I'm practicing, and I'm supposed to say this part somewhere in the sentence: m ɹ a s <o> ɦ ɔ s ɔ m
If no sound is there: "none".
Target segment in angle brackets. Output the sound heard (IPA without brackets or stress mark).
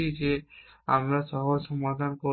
ɔ